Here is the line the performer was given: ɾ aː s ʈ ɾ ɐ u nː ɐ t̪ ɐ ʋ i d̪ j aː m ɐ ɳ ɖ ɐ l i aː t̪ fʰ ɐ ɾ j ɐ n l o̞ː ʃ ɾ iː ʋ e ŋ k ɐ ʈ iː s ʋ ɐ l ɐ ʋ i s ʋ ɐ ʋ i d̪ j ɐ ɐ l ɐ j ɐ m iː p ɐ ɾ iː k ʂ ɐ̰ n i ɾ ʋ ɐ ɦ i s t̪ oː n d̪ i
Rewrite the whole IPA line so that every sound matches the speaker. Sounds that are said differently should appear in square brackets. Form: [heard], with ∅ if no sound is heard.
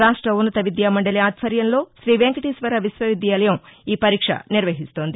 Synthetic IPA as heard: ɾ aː [ʂ] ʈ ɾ ɐ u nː ɐ t̪ ɐ ʋ i d̪ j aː m ɐ ɳ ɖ ɐ l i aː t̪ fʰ ɐ ɾ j ɐ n l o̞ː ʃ ɾ iː ʋ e ŋ k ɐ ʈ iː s ʋ ɐ [ɾ] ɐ ʋ i s ʋ ɐ ʋ i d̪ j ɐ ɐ l ɐ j ɐ m iː p ɐ ɾ iː k ʂ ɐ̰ n i ɾ ʋ ɐ ɦ i s t̪ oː n d̪ i